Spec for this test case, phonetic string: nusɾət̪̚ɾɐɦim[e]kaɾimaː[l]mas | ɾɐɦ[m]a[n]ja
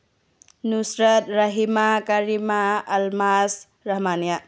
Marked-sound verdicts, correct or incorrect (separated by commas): incorrect, correct, correct, correct